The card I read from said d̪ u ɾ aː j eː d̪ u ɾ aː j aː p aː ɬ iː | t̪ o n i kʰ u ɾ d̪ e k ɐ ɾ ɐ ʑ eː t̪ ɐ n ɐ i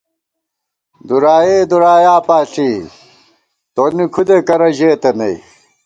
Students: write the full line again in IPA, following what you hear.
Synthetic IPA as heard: d̪ u ɾ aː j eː d̪ u ɾ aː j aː p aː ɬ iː | t̪ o n i kʰ u d̪ e k ɐ ɾ ɐ ʑ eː t̪ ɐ n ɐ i